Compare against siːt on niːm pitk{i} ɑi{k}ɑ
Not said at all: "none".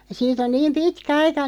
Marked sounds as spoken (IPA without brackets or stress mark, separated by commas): æ, k